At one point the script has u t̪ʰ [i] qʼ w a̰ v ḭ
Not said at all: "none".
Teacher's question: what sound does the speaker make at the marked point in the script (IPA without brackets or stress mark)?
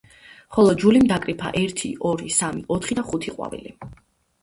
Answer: i